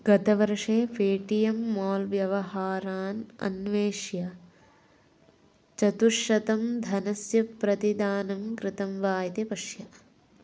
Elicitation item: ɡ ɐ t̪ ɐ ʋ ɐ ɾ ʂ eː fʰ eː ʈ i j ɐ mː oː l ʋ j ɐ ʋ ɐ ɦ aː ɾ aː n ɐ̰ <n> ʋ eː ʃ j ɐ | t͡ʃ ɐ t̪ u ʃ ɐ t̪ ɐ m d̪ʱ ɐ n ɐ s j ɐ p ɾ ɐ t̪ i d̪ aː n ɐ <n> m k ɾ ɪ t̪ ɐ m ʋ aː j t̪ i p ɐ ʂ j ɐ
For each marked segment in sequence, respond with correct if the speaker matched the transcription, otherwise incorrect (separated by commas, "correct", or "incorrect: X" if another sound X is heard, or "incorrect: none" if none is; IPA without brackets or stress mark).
correct, incorrect: none